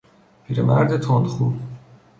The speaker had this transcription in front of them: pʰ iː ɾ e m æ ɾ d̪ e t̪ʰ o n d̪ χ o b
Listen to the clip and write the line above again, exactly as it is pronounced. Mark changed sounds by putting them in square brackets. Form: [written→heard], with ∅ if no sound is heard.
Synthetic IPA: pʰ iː ɾ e m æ ɾ d̪ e t̪ʰ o n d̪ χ [o→u] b